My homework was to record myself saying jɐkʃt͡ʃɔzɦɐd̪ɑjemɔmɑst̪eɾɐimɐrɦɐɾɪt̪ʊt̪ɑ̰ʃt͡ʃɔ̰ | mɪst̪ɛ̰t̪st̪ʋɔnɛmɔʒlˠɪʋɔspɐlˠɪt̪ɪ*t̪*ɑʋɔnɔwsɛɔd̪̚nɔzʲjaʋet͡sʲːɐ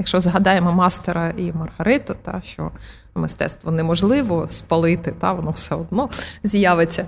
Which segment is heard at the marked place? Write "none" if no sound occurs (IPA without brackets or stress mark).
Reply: t̪